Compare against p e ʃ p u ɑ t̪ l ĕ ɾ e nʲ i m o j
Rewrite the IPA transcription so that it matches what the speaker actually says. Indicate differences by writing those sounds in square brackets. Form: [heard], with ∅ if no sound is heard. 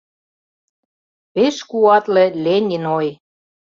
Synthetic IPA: p e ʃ [k] u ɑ t̪ l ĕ [l] e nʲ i [n] o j